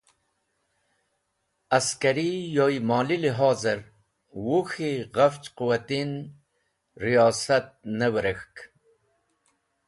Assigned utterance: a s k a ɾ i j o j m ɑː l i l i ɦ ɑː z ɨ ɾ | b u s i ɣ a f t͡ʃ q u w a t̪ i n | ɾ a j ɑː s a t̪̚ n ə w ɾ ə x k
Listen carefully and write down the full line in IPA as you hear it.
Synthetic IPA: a s k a ɾ i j o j m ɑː l i l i ɦ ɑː z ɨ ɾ | w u x i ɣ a f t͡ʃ q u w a t̪ i n | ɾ i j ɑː s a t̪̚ n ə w ɾ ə x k